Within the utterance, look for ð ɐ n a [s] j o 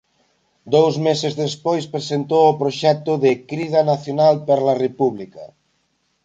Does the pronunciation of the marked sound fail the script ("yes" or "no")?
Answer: yes